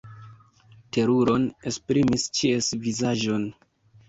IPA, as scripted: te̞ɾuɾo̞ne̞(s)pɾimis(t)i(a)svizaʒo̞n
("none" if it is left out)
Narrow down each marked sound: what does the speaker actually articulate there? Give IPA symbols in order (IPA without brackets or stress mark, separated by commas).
s, t͡ʃ, e